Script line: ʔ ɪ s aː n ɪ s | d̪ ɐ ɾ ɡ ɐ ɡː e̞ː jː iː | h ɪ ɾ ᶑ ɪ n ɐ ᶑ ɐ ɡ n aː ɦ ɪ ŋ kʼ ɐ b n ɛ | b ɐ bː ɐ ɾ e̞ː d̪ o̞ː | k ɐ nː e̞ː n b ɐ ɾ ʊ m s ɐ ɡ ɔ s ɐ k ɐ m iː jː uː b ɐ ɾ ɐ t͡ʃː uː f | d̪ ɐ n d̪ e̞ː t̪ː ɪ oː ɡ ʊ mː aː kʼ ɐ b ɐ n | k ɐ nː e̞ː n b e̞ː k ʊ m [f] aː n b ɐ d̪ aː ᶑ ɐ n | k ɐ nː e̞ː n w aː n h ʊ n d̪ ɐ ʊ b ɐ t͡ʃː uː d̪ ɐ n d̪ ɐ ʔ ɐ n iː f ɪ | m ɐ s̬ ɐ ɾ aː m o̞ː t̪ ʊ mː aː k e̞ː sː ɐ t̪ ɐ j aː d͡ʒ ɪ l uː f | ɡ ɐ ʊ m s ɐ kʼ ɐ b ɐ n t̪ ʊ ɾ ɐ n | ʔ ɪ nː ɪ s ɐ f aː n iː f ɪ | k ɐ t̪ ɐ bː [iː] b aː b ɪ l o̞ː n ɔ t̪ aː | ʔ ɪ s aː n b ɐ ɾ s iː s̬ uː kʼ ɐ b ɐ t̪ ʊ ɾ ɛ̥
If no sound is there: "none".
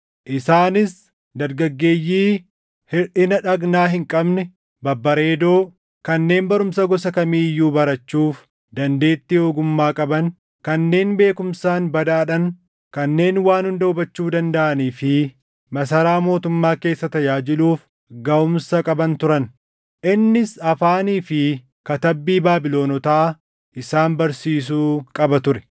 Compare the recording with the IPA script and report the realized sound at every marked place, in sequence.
s, iː

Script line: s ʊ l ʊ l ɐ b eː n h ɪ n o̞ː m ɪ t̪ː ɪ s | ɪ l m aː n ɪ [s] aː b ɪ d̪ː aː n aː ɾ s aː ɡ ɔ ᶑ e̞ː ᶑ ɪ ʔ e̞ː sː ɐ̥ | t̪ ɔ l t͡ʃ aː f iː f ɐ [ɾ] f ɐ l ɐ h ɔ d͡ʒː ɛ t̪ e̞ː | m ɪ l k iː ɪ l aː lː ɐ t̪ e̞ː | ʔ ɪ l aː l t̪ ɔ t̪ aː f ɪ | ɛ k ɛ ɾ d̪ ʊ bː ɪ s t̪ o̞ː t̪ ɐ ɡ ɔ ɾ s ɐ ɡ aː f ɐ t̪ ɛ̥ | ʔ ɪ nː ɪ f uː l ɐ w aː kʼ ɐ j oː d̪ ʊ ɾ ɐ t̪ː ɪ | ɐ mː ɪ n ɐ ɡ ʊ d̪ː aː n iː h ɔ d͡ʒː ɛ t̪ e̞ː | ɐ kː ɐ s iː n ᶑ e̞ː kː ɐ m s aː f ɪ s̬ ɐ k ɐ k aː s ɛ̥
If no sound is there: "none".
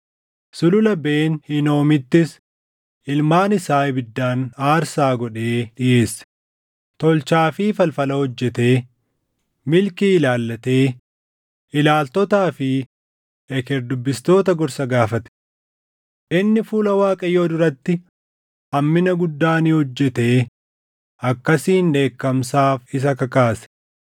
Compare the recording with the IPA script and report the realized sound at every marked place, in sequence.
s, l

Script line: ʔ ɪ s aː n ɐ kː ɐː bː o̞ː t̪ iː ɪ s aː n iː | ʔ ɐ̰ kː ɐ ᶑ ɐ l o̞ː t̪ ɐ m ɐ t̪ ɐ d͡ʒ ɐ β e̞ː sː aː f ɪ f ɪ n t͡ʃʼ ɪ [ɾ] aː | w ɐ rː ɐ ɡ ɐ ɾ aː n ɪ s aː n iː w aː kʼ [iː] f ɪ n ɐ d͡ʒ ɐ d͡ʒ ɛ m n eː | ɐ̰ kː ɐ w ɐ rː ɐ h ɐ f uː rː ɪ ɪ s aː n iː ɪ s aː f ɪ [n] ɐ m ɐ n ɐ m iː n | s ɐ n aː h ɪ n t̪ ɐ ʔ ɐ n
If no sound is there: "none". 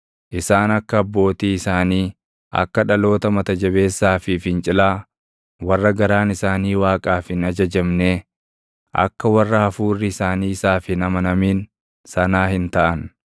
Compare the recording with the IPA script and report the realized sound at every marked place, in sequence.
l, aː, n

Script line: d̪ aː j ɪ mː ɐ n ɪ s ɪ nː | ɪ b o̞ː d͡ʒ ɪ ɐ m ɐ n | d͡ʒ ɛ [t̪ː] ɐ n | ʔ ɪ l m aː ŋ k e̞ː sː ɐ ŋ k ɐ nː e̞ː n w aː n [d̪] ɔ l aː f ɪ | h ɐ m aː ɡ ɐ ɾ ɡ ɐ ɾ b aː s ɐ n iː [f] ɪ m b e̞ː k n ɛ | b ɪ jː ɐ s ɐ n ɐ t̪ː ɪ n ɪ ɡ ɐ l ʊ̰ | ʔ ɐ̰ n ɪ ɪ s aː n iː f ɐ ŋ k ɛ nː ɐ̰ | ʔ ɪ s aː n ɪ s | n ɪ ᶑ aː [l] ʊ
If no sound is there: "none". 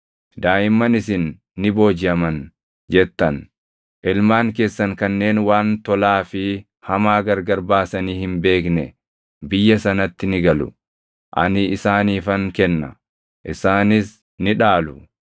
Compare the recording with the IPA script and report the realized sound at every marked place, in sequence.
t̪ː, t̪, h, l

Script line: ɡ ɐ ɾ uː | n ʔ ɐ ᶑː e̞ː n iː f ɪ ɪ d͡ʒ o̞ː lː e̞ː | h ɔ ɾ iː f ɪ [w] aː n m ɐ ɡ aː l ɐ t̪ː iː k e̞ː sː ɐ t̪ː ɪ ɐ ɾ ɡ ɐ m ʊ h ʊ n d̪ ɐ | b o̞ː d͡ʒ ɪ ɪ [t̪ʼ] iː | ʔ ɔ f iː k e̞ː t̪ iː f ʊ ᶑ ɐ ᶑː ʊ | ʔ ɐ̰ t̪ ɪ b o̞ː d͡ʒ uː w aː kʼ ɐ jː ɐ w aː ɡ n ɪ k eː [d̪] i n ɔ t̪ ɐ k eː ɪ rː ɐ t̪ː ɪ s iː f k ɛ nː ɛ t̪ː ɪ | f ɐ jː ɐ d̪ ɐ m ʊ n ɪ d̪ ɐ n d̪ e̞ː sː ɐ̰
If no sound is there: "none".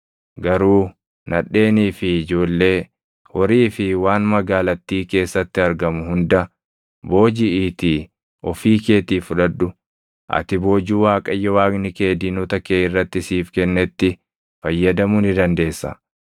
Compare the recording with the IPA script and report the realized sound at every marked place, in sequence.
w, t̪, d̪

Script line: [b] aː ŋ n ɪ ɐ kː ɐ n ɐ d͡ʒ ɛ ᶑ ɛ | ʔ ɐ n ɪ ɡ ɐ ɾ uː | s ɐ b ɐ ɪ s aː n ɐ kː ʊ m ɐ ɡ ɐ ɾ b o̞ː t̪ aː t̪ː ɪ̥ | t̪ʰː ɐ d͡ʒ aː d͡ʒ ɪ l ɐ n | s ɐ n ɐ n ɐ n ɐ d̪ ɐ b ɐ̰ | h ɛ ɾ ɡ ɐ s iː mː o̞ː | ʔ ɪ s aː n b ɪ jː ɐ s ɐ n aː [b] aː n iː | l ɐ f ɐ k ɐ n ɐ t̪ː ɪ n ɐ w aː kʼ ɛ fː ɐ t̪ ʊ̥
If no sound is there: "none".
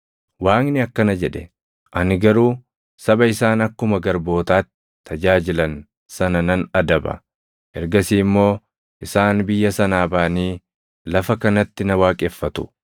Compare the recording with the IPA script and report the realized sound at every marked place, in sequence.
w, b

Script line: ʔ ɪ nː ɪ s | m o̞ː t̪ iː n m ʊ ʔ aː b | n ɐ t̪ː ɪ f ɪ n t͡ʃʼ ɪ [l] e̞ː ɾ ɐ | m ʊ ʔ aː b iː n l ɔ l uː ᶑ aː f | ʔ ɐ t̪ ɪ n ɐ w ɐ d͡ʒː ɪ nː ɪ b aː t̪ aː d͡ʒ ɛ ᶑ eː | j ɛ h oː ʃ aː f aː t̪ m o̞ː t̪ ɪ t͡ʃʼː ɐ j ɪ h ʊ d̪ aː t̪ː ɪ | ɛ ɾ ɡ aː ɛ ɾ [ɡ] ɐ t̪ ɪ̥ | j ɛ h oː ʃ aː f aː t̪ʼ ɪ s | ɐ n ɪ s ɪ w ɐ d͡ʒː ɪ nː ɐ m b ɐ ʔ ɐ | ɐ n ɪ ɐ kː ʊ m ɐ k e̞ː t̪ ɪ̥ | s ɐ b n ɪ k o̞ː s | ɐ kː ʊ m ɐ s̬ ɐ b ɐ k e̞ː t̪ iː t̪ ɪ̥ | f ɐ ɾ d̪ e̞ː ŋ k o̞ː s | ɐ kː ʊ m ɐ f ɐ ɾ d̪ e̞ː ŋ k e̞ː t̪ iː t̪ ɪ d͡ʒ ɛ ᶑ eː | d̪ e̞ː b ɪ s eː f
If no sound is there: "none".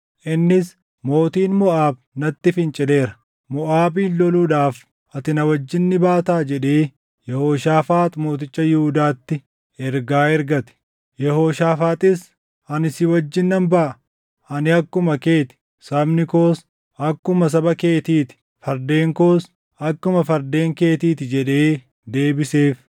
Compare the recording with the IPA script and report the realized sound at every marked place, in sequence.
l, ɡ

